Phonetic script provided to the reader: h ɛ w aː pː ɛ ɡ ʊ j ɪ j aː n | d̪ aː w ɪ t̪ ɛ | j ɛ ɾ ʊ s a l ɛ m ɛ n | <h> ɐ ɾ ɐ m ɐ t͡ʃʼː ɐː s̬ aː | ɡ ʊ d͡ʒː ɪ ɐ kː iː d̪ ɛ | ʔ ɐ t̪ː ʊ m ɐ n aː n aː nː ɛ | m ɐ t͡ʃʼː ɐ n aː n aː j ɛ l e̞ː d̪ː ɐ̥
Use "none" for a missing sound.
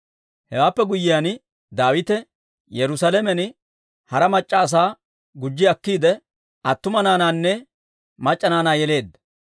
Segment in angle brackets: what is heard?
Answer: h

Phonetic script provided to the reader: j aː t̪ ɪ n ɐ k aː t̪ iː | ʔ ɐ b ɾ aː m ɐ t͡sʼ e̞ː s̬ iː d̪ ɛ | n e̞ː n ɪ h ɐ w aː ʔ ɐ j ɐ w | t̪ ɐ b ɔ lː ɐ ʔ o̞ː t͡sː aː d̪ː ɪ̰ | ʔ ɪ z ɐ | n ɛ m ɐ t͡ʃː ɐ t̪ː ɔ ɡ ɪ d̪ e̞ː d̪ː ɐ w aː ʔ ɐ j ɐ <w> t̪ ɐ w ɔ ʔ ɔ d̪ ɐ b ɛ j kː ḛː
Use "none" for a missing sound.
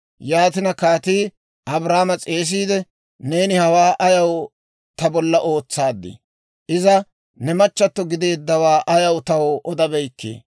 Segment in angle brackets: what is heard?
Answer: w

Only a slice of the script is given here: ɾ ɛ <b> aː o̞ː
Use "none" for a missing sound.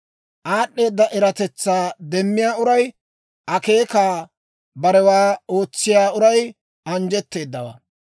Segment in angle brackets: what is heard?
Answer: w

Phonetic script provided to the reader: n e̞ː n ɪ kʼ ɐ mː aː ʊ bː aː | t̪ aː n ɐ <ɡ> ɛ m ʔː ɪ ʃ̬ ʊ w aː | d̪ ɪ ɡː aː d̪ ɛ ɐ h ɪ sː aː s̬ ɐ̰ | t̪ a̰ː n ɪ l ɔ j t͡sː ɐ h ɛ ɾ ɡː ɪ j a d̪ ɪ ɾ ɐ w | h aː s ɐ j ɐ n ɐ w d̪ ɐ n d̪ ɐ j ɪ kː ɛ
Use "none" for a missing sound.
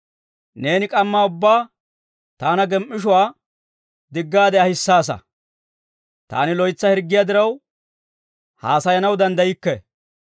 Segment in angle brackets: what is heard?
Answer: ɡ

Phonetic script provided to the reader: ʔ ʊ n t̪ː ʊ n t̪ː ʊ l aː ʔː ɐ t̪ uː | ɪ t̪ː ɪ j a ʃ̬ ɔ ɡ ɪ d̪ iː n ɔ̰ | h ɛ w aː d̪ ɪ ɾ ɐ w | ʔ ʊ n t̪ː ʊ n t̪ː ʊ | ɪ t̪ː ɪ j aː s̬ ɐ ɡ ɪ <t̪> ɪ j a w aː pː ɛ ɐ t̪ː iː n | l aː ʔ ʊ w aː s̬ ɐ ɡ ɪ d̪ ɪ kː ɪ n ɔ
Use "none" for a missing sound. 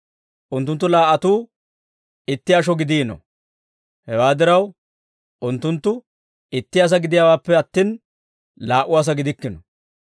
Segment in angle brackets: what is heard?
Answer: d̪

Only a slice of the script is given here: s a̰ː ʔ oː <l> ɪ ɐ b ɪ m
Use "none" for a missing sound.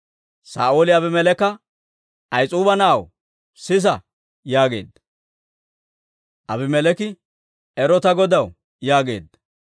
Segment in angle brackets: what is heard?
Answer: l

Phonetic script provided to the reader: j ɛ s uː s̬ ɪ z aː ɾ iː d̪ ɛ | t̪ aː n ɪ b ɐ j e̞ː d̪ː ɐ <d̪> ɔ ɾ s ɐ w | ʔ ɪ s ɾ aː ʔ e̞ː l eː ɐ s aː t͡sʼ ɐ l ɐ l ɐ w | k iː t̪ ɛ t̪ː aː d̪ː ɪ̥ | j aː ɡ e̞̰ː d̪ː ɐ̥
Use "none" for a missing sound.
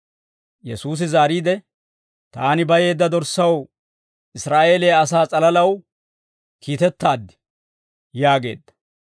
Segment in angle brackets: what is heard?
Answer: d̪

